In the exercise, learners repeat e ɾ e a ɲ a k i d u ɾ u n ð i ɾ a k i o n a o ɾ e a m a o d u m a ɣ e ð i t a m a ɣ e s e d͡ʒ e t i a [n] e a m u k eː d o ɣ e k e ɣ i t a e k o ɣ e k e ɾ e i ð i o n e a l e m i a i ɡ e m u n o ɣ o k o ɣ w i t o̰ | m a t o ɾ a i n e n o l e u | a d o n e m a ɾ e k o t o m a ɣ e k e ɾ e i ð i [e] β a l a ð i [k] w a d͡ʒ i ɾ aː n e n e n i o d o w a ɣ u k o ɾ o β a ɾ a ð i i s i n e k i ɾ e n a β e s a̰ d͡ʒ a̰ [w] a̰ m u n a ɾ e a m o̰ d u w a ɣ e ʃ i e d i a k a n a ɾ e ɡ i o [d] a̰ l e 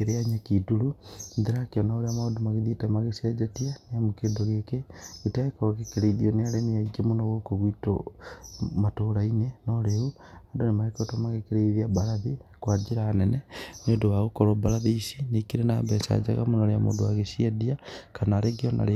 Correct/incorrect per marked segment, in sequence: correct, incorrect: a, correct, incorrect: ɣ, incorrect: n

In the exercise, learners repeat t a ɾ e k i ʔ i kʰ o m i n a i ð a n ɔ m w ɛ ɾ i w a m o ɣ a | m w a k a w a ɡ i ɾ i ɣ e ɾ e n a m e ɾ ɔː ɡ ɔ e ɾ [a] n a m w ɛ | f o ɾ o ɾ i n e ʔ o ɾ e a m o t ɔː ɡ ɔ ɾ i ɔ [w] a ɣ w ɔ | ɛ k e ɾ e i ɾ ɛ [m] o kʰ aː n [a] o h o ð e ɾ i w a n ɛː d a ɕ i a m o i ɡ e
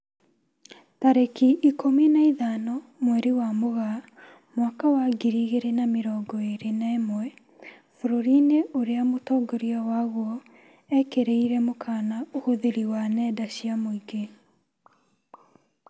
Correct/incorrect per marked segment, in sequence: incorrect: e, correct, correct, correct

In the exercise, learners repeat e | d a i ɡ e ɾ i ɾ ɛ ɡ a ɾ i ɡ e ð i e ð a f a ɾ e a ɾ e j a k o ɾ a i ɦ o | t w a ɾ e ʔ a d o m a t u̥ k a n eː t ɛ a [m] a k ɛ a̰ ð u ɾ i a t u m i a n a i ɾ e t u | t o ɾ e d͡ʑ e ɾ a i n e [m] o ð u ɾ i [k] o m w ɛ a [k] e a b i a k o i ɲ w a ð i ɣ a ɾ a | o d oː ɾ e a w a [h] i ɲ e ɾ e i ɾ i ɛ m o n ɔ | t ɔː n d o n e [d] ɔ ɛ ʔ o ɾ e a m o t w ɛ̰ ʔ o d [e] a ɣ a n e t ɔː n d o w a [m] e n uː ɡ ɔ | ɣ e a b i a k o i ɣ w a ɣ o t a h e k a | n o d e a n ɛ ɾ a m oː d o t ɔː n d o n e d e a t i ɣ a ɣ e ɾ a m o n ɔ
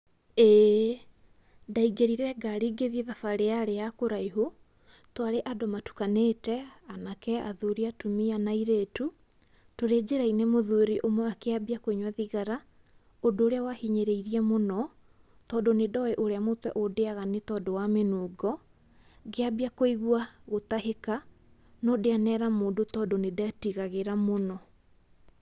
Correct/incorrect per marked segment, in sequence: incorrect: n, correct, incorrect: ʔ, correct, correct, correct, correct, correct

